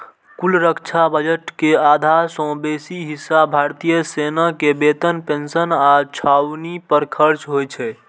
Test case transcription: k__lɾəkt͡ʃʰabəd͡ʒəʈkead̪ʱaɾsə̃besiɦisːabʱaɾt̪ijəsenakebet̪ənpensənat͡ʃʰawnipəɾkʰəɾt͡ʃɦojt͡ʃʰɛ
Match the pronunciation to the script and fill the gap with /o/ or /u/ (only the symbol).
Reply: u